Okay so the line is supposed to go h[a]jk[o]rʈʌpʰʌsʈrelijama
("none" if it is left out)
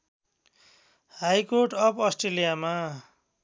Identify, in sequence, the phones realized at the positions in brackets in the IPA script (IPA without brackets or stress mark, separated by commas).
a, o